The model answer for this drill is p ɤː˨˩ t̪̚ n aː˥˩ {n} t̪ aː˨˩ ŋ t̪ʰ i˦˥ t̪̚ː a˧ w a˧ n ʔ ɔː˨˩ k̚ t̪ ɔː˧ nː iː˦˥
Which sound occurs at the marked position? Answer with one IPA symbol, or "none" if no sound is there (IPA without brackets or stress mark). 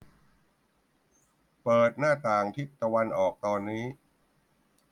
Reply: none